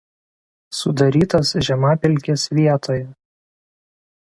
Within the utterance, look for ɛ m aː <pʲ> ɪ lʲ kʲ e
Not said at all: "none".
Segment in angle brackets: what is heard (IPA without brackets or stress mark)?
pʲ